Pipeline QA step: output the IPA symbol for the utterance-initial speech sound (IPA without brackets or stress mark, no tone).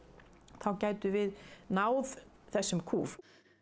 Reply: θ